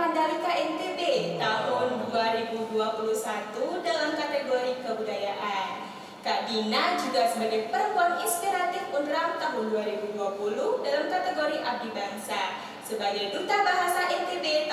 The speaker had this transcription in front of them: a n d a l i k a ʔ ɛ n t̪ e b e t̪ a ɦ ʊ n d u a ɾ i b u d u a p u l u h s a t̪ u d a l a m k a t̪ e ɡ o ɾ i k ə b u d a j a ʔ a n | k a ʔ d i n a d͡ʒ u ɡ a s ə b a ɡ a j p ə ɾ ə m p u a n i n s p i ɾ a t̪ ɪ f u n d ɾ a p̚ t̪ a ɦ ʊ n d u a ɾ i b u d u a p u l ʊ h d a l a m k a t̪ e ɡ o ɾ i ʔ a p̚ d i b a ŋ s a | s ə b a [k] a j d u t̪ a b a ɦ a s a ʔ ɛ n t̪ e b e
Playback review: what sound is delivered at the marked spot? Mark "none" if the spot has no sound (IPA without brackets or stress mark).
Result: ɡ